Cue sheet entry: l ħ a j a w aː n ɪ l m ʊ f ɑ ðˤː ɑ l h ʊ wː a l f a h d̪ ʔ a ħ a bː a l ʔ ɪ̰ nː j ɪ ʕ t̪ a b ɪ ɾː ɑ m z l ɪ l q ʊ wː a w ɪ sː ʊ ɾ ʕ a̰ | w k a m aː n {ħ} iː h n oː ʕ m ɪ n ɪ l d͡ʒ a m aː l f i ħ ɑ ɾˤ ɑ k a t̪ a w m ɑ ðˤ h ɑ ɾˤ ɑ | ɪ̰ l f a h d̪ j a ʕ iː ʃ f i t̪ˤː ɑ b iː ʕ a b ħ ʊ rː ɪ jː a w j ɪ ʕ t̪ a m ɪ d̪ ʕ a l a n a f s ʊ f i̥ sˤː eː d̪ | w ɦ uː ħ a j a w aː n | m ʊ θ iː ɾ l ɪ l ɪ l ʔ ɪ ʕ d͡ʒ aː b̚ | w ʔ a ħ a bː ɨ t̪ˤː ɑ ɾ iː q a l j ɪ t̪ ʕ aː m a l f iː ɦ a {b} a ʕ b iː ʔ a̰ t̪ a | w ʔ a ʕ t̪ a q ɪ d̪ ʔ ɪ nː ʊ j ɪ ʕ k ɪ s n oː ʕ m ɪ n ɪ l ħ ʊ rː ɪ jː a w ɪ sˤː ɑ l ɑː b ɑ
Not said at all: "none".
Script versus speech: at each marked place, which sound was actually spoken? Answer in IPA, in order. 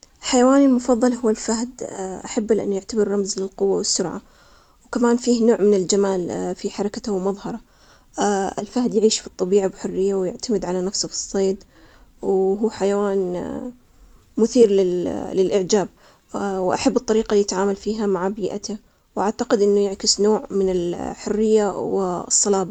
f, m

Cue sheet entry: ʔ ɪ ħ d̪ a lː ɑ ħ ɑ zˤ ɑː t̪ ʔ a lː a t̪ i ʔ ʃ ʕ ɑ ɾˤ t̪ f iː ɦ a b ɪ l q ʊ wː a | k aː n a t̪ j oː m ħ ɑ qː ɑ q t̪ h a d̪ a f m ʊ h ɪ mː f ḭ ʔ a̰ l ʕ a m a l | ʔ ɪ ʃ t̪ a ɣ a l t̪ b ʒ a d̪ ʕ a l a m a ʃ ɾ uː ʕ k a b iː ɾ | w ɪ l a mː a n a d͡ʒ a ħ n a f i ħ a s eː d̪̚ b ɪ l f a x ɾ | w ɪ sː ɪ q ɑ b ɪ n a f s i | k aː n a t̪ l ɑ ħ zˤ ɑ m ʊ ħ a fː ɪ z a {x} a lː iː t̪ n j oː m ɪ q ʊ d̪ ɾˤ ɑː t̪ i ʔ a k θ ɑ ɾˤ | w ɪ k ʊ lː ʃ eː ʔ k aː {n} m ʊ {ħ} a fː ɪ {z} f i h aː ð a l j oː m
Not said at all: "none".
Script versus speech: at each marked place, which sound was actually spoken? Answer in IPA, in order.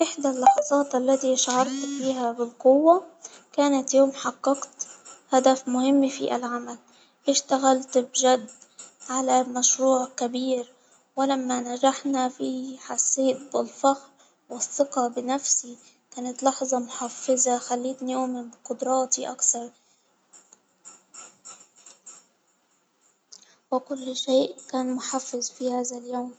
x, n, ħ, z

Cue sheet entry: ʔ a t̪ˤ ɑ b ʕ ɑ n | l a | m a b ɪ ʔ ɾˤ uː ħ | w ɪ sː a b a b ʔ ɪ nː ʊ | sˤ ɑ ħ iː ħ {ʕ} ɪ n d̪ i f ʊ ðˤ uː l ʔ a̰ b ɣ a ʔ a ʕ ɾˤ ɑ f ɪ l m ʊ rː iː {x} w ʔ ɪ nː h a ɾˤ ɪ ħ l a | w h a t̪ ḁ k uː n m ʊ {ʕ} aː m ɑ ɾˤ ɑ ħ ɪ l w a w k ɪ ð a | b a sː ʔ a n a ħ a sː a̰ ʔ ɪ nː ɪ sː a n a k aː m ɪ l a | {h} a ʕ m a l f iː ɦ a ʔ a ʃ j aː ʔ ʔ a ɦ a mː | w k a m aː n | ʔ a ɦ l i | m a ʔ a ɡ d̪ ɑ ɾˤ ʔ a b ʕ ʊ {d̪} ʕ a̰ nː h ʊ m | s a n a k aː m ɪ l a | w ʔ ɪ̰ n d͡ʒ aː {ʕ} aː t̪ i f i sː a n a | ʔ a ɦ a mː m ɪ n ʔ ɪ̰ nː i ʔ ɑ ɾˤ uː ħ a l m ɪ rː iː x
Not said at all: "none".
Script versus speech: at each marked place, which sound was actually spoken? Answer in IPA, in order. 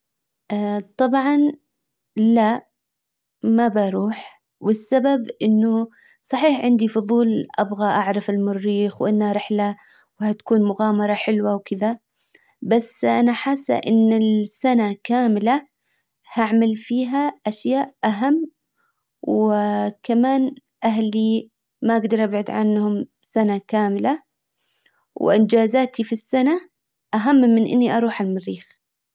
ʕ, x, ɣ, h, d̪, z

